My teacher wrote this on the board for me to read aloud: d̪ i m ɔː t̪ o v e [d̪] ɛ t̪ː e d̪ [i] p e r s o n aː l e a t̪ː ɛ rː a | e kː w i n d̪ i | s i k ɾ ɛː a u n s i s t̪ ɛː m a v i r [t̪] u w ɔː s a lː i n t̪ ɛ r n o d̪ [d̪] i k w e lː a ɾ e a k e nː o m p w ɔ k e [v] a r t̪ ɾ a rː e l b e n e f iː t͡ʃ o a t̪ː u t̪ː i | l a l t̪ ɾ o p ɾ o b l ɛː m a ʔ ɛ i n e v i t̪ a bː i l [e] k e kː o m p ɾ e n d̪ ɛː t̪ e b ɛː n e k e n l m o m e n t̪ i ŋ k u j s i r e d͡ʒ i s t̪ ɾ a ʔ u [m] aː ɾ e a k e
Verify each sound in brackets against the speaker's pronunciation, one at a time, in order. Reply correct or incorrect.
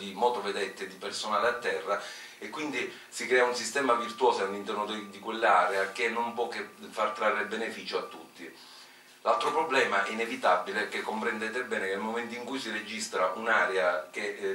correct, correct, correct, correct, incorrect: f, correct, incorrect: n

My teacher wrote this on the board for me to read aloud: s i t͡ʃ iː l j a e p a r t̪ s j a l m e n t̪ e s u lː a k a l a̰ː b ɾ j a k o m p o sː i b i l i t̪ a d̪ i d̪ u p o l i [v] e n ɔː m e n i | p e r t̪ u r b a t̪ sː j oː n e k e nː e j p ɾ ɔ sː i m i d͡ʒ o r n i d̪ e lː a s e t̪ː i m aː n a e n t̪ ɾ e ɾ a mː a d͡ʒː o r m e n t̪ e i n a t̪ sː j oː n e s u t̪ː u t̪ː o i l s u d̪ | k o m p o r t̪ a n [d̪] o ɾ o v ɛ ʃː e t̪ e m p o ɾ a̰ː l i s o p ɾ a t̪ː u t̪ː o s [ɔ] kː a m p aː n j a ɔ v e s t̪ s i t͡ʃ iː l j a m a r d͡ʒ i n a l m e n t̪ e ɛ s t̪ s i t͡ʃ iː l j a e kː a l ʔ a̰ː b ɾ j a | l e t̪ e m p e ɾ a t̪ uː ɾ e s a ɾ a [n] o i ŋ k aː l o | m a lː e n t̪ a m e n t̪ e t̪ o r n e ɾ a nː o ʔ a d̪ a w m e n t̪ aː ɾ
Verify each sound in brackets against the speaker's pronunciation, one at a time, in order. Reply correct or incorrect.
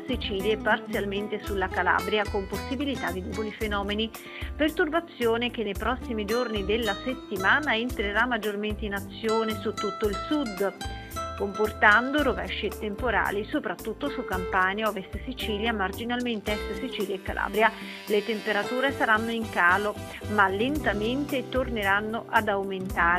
incorrect: f, correct, incorrect: u, incorrect: nː

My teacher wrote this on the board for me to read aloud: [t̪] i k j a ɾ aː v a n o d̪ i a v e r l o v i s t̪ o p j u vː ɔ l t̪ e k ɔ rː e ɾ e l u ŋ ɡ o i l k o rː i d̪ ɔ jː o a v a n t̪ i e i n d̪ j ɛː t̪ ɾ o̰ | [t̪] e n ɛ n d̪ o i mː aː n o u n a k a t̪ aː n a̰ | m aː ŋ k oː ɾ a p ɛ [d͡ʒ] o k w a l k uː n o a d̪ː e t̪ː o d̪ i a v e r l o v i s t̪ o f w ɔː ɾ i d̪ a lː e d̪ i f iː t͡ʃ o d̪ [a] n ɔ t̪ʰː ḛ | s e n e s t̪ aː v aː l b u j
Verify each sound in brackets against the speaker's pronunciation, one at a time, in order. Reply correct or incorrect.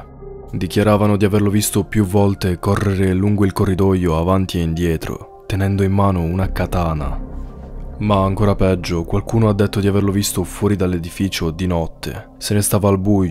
incorrect: d̪, correct, incorrect: d͡ʒː, incorrect: i

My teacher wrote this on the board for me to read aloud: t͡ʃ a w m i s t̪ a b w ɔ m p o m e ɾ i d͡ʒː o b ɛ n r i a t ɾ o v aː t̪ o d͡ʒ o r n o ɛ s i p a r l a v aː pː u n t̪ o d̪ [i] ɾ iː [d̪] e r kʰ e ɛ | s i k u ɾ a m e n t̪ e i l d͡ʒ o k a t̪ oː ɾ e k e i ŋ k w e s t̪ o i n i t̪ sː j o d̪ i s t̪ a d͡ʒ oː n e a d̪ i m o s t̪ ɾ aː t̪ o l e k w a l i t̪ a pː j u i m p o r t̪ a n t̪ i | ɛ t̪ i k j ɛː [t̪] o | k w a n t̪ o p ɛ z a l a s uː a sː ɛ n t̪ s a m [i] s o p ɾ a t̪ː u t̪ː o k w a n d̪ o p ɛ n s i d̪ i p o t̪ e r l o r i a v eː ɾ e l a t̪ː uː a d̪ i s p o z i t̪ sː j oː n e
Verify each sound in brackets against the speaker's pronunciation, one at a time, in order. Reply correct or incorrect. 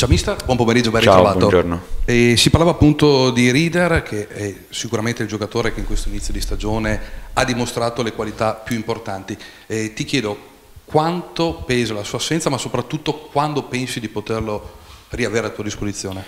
correct, correct, incorrect: d̪, incorrect: a

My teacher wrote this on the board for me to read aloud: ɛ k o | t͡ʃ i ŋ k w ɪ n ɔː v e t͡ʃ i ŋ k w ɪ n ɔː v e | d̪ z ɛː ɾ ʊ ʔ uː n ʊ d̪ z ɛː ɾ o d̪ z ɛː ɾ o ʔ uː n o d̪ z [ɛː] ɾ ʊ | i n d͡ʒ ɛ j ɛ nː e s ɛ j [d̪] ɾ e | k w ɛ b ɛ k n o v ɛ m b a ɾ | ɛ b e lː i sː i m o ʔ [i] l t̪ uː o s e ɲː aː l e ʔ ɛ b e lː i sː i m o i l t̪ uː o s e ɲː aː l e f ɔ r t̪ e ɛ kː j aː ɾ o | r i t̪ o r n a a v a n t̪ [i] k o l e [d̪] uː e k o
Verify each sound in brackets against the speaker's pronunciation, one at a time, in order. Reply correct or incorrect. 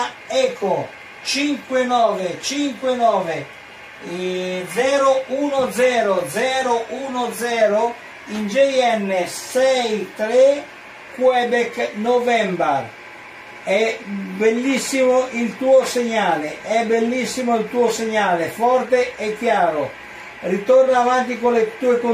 correct, incorrect: t̪, correct, correct, incorrect: t̪

